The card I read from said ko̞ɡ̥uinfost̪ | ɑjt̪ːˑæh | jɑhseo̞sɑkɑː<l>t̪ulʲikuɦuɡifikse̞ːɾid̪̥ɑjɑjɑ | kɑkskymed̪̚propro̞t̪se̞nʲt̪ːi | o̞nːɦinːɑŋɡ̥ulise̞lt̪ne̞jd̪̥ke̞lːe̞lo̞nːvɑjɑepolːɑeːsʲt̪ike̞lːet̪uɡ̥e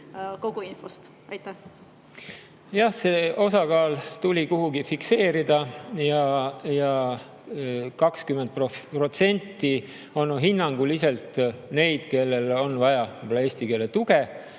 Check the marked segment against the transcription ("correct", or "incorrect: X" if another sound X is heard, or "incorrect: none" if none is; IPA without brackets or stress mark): correct